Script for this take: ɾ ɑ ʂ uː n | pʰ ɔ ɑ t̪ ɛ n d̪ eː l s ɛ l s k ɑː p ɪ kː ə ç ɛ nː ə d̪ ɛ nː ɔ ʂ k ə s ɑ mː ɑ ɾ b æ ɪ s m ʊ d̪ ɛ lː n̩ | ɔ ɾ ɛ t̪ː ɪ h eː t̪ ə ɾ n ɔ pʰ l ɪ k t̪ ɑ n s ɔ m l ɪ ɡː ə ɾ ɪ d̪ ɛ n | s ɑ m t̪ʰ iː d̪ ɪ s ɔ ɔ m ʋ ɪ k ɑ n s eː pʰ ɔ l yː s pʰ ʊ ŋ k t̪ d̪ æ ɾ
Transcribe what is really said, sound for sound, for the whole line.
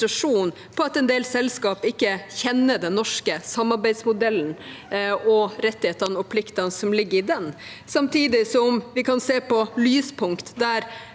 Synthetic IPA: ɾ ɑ ʂ uː n | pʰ ɔ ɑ t̪ ɛ n d̪ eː l s ɛ l s k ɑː p ɪ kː ə ç ɛ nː ə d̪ ɛ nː ɔ ʂ k ə s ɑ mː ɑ ɾ b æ ɪ s m ʊ d̪ ɛ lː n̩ | ɔ ɾ ɛ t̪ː ɪ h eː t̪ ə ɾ n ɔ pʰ l ɪ k t̪ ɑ n s ɔ m l ɪ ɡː ə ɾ ɪ d̪ ɛ n | s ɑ m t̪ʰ iː d̪ ɪ s ɔ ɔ m ʋ ɪ k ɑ n s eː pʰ ɔ l yː s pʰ ʊ ŋ k t̪ d̪ æ ɾ